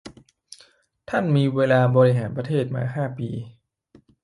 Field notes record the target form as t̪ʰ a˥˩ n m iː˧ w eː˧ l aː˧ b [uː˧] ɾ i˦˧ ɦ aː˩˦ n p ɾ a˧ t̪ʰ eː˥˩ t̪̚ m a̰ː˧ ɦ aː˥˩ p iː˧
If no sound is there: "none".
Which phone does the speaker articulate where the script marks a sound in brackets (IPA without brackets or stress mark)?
ɔː˧